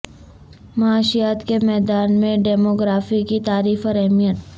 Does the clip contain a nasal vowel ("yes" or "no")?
yes